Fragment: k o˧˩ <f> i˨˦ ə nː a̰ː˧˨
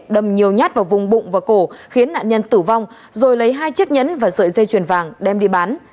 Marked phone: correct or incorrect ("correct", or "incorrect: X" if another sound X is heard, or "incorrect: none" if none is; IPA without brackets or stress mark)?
incorrect: x